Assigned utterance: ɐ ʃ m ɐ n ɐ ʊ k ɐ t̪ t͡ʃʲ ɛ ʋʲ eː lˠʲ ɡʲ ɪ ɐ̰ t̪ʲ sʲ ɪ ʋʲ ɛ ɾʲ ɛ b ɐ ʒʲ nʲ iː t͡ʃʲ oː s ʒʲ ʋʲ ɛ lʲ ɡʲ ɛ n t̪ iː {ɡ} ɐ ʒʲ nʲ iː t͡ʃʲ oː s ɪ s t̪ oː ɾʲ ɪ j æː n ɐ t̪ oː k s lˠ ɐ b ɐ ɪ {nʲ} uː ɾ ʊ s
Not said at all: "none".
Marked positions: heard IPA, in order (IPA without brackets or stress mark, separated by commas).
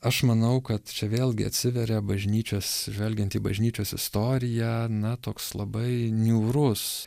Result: b, nʲ